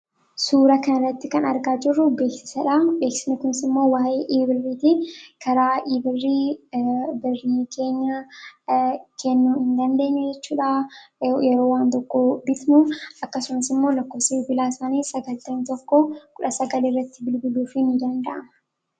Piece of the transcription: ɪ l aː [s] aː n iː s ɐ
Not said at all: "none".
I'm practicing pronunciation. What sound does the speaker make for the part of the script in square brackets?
s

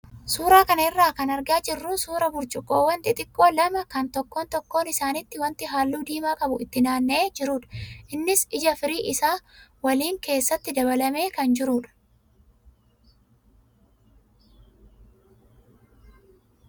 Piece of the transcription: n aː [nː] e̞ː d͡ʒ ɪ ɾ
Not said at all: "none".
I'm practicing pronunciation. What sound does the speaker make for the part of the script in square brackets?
nː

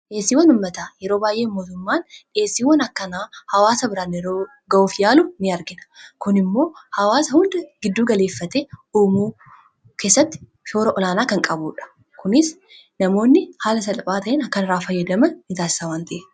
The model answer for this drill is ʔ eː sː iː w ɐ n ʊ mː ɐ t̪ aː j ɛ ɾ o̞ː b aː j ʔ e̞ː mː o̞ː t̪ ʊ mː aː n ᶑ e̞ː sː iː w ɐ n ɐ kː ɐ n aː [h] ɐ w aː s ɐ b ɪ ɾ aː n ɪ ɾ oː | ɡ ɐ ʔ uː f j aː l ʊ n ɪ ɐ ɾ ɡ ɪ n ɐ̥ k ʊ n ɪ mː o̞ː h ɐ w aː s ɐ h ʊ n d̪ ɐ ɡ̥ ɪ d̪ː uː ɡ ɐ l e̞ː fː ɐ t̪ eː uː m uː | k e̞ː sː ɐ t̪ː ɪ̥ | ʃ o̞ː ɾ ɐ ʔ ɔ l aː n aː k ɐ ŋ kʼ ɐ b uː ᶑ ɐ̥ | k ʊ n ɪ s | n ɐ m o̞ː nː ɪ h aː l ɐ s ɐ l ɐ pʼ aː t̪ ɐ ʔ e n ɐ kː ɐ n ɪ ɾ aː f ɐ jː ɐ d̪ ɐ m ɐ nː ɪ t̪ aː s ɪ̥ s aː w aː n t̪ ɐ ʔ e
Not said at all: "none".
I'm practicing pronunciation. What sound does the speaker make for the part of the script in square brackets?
h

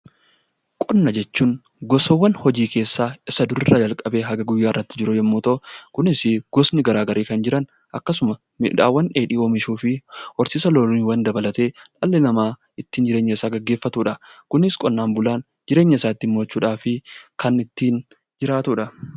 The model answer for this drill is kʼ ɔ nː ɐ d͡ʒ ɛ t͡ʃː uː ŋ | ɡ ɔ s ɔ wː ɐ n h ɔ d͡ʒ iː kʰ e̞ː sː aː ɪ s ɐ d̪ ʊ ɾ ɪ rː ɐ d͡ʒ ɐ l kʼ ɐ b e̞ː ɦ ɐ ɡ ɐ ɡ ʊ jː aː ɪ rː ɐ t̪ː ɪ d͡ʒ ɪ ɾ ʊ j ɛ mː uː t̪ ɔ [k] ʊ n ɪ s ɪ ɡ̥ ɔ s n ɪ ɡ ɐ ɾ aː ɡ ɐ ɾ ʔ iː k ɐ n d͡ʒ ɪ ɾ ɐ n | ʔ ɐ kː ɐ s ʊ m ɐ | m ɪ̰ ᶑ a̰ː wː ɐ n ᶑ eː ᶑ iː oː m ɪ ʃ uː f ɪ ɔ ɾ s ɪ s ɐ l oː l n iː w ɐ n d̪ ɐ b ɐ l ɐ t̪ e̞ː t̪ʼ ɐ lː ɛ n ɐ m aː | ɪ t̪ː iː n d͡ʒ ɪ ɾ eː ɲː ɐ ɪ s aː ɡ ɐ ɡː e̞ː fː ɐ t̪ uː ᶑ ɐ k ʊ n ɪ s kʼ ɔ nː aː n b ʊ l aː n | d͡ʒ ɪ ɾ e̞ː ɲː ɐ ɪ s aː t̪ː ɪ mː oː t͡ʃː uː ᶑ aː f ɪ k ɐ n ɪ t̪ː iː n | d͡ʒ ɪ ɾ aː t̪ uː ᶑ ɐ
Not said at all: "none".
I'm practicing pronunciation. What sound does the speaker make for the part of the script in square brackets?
k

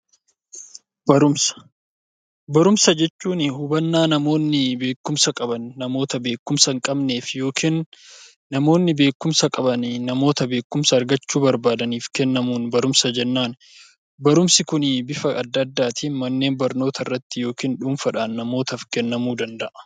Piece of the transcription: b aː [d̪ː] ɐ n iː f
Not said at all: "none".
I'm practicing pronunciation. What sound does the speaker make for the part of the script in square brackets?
d̪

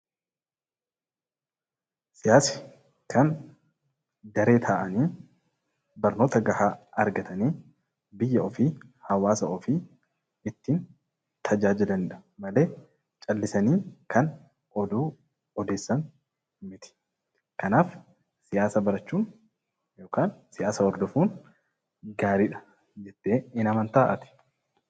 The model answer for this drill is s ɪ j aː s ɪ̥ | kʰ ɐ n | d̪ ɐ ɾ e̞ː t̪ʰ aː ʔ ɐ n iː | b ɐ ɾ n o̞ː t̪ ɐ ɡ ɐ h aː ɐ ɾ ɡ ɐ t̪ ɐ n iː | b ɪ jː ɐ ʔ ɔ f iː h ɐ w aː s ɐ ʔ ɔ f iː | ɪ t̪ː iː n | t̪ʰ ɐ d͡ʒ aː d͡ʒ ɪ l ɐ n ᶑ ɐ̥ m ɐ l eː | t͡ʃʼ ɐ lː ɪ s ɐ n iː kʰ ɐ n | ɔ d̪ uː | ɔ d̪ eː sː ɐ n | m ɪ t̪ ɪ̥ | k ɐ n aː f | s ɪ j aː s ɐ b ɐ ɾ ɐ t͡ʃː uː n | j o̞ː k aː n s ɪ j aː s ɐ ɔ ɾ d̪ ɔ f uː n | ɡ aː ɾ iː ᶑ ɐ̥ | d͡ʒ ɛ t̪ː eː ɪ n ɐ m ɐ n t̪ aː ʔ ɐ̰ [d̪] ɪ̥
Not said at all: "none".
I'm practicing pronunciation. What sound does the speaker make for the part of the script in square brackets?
t̪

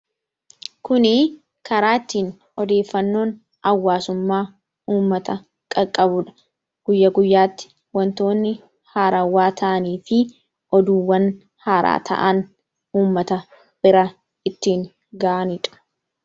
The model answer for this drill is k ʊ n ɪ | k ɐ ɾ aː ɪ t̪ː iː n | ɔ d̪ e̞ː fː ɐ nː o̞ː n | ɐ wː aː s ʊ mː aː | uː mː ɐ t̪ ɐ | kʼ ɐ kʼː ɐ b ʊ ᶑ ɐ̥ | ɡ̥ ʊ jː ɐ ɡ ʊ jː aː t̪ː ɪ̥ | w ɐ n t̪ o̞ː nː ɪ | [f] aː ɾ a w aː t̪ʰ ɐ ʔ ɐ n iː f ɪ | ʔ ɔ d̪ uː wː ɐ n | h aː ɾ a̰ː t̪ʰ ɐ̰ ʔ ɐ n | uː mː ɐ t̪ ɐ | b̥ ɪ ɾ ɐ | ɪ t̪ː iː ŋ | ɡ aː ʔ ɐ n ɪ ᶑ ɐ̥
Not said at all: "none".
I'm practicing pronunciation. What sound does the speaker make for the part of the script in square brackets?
h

